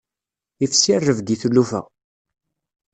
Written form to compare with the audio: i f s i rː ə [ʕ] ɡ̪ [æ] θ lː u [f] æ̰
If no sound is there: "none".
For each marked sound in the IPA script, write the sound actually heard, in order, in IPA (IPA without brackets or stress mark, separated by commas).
v, i, f